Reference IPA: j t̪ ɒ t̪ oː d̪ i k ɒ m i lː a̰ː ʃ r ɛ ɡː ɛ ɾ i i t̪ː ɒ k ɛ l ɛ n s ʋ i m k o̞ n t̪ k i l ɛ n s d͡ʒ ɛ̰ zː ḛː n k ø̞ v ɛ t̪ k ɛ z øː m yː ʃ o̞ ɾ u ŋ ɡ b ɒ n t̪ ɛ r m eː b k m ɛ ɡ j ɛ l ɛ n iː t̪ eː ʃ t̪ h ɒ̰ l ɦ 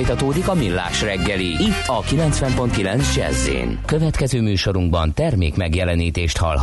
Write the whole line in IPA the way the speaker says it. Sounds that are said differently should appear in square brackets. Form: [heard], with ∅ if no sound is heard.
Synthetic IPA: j t̪ ɒ t̪ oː d̪ i k ɒ m i lː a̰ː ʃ r ɛ ɡː ɛ [l] i i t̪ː ɒ k [i] l ɛ n s ʋ [ɛ] m [p] o̞ n t̪ k i l ɛ n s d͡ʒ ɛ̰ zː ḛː n k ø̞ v ɛ t̪ k ɛ z øː m yː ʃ o̞ ɾ u ŋ ɡ b ɒ n t̪ ɛ r m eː [∅] k m ɛ ɡ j ɛ l ɛ n iː t̪ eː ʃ t̪ h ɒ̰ l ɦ